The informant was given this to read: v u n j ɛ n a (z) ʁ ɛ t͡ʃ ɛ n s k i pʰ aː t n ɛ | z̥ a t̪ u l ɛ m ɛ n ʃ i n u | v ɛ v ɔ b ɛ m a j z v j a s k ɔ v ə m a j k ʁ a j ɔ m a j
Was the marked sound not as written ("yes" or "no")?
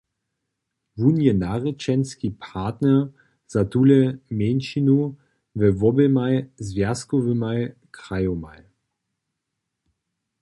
yes